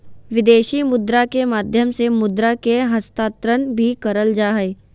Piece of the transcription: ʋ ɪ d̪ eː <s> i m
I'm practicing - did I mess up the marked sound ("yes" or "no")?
yes